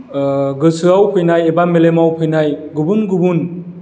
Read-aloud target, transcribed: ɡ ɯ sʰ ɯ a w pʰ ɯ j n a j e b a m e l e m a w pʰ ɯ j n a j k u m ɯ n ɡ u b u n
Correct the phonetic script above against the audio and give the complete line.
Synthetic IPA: ɡ ɯ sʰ ɯ a w pʰ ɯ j n a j e b a m e l e m a w pʰ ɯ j n a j ɡ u b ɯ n ɡ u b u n